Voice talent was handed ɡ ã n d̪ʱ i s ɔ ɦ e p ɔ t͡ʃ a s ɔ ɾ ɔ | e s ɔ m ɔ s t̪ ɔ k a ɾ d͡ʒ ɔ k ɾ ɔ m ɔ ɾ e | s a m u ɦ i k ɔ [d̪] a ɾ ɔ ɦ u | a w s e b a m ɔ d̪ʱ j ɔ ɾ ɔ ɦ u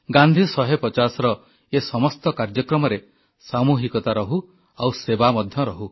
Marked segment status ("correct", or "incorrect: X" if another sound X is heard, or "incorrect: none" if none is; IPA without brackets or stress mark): incorrect: t̪